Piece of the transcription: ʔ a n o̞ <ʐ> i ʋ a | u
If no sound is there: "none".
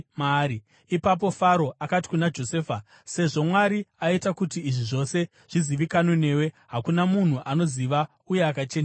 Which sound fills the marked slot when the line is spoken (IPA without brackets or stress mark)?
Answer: z